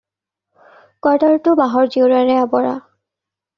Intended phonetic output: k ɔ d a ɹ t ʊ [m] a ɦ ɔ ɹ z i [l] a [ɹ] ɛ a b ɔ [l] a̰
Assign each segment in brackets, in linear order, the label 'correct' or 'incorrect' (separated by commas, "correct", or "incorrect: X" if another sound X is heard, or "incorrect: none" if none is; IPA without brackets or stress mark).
incorrect: b, incorrect: ɹ, correct, incorrect: ɹ